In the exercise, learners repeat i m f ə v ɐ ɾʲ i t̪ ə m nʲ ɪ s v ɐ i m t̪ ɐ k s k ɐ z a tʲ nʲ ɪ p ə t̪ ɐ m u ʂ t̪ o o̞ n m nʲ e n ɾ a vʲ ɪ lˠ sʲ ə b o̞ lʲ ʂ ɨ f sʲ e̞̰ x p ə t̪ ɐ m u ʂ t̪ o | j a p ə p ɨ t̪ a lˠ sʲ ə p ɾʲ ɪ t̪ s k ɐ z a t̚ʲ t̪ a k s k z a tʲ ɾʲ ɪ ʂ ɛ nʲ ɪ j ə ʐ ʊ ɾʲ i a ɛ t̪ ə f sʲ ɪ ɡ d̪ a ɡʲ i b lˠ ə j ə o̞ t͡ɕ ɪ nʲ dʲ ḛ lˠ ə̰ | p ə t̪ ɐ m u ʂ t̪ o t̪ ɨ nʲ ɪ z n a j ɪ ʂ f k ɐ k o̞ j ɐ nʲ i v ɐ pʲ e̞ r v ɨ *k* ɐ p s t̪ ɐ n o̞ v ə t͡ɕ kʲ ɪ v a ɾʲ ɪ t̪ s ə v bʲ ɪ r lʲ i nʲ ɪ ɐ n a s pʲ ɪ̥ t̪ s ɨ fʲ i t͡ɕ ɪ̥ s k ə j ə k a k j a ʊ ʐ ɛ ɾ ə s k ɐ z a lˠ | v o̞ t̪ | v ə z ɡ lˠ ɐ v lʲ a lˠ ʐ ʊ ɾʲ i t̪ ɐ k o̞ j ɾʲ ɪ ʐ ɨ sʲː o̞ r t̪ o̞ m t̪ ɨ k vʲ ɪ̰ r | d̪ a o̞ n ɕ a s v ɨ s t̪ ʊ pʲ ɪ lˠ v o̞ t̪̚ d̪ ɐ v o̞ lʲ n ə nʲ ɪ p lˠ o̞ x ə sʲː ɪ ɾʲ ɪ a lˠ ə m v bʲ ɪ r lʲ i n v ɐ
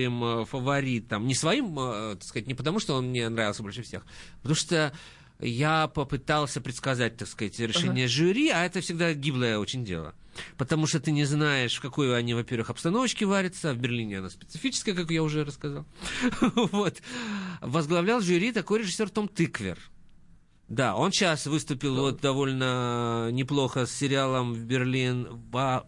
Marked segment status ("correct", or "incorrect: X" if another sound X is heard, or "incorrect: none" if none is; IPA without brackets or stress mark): incorrect: x